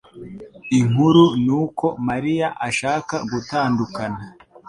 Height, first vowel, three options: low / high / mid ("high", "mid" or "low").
high